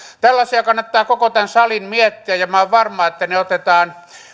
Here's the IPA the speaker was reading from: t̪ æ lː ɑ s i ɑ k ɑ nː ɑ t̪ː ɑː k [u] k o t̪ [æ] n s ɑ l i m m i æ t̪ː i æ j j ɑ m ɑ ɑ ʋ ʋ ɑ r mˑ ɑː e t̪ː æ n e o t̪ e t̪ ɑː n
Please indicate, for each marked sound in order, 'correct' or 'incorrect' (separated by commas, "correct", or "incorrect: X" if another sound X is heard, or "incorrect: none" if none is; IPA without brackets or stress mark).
incorrect: o, correct